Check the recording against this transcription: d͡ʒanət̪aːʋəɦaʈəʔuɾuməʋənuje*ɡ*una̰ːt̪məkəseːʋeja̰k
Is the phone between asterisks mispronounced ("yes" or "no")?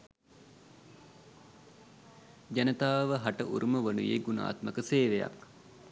no